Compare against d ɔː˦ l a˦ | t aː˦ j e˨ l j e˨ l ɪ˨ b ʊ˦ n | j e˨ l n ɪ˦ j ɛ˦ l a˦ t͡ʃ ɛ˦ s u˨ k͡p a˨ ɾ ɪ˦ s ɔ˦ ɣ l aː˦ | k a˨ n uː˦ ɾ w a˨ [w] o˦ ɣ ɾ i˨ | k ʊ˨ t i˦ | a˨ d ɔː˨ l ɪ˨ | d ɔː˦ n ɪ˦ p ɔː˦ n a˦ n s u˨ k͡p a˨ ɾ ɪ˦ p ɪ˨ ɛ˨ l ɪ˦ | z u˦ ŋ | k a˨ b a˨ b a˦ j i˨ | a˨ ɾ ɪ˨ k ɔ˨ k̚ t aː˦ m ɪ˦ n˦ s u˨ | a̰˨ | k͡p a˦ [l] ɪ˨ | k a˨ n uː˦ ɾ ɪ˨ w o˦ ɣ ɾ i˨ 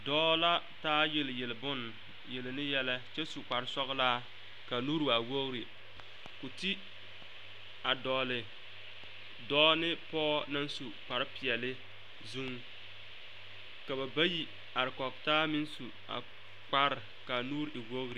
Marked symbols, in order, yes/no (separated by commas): yes, no